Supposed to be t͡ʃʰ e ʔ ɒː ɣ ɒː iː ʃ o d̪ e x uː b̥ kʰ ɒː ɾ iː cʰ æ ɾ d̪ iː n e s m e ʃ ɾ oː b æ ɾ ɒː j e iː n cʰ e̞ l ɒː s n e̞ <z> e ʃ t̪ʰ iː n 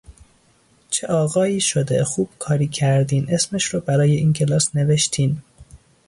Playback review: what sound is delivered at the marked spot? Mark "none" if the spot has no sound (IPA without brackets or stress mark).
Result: v